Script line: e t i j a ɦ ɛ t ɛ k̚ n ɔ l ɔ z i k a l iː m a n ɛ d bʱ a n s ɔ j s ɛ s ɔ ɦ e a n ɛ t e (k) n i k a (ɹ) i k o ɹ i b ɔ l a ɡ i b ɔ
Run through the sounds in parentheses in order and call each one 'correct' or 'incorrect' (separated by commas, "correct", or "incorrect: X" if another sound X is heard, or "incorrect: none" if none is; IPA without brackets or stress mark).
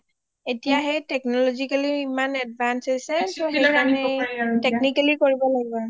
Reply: correct, incorrect: l